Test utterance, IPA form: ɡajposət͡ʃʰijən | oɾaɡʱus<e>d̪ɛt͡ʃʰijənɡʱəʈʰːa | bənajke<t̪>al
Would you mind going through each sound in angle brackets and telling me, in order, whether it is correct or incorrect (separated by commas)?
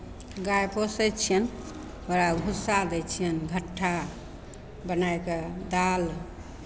incorrect, incorrect